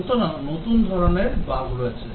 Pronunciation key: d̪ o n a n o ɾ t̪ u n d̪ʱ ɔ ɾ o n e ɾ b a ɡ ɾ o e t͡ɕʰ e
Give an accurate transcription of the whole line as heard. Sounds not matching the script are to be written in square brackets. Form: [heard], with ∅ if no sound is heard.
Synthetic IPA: [t̪] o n a n o [∅] t̪ u n d̪ʱ ɔ ɾ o n e ɾ b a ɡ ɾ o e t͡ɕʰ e